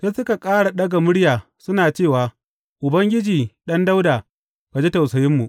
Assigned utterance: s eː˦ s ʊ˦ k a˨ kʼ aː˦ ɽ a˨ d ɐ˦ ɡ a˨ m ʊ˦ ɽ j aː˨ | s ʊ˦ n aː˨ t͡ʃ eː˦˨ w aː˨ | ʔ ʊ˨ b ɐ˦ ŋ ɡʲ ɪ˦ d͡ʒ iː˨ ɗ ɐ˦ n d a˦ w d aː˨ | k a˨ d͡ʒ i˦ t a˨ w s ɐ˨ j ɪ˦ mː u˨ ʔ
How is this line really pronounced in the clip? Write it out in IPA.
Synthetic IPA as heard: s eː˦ s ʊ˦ k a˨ kʼ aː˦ ɽ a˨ ɗ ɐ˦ ɡ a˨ m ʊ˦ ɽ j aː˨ | s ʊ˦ n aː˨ t͡ʃ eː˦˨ w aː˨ | ʔ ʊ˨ b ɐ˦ ŋ ɡʲ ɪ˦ d͡ʒ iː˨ ɗ ɐ˦ n d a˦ w d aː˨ | k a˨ d͡ʒ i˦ t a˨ w s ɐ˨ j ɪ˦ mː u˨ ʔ